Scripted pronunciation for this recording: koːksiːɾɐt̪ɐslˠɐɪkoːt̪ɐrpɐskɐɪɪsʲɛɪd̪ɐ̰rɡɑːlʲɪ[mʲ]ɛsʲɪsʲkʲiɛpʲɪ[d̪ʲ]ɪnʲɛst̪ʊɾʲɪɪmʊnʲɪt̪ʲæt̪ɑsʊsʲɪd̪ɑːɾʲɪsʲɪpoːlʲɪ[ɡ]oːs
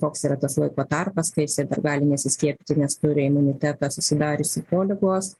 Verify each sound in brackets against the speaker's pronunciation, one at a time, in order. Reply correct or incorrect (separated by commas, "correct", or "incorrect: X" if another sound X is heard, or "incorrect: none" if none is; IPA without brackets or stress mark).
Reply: incorrect: nʲ, incorrect: t̪ʲ, correct